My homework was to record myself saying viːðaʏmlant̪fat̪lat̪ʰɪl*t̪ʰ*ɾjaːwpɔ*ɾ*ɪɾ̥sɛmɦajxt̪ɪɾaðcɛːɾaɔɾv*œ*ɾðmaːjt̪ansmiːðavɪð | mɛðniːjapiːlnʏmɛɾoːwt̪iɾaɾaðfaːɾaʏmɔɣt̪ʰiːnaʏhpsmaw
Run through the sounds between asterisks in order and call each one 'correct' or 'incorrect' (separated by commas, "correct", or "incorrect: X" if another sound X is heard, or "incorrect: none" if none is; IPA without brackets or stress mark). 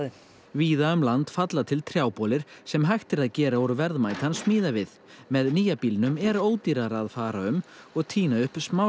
correct, incorrect: l, incorrect: ɛ